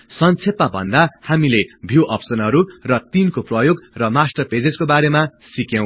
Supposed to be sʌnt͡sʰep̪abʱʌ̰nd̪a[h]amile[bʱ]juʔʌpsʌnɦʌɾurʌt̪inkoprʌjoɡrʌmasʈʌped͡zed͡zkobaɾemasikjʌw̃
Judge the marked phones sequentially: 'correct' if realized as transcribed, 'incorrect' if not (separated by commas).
correct, correct